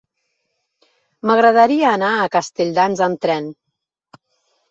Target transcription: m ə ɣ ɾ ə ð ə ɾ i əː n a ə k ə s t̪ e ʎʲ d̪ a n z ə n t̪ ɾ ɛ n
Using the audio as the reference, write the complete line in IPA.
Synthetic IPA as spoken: m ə ɣ ɾ ə ð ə ɾ i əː n a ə k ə s t̪ e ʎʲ d̪ a n z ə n t̪ ɾ ɛ n